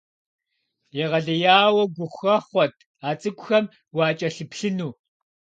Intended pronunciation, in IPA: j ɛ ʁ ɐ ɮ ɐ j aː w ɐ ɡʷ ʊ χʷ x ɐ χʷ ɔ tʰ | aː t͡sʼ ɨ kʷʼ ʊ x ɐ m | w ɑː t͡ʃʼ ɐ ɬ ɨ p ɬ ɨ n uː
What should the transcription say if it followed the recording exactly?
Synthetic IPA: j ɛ ʁ ɐ ɮ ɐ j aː w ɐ ɡʷ ʊ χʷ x ɐ χʷ ɔ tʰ | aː t͡sʼ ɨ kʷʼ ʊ x ɐ m | w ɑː t͡ʃʼ ɐ ɬ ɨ p ɬ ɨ n uː